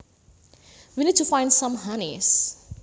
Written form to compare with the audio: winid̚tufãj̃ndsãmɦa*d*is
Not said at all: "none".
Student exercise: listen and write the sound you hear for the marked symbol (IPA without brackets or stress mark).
n